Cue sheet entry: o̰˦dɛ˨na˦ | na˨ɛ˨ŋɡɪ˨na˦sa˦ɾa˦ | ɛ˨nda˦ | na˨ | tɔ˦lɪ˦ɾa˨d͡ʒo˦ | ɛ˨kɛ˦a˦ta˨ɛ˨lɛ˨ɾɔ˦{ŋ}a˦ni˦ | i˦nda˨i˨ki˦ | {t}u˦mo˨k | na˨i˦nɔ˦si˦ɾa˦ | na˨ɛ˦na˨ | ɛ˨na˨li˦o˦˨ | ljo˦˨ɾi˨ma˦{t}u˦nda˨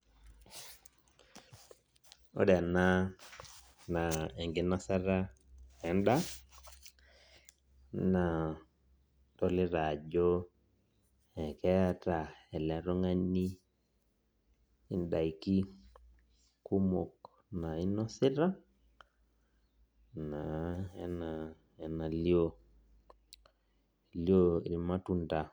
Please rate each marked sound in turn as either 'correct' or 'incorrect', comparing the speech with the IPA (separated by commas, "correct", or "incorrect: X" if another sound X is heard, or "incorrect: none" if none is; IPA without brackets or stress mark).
correct, incorrect: k, correct